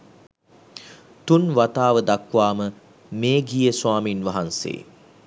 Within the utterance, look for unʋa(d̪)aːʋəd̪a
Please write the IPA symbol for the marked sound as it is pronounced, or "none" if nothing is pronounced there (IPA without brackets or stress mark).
t̪